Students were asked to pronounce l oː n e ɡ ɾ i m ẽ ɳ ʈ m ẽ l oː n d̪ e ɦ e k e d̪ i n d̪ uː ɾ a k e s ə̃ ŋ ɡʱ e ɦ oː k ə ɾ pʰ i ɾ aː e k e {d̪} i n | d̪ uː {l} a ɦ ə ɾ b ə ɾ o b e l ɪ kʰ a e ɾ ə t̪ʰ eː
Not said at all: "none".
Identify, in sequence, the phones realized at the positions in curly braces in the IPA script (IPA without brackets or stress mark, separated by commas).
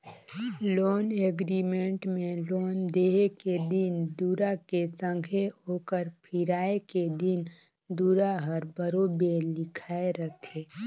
d̪, ɾ